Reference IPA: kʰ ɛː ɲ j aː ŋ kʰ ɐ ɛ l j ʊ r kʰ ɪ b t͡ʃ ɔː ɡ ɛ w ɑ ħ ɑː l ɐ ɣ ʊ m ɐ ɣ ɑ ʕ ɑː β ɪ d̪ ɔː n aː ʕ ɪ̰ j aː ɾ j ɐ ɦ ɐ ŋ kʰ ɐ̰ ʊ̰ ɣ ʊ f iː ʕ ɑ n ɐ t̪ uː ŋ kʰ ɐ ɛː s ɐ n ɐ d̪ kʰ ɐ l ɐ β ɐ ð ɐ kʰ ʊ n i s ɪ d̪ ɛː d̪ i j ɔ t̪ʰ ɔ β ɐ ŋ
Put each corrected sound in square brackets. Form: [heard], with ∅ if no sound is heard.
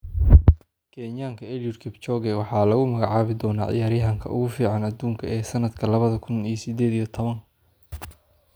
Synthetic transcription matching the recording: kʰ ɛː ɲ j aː ŋ kʰ ɐ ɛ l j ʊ r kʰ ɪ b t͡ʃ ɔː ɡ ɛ w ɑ ħ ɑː l ɐ ɣ ʊ m ɐ ɣ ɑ ʕ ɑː β ɪ d̪ ɔː n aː ʕ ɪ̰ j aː ɾ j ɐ ɦ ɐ ŋ kʰ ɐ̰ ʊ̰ ɣ ʊ f iː ʕ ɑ n ɐ [d̪] uː ŋ kʰ ɐ ɛː s ɐ n ɐ d̪ kʰ ɐ l ɐ β ɐ ð ɐ kʰ ʊ n i s ɪ d̪ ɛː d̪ i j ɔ t̪ʰ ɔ β ɐ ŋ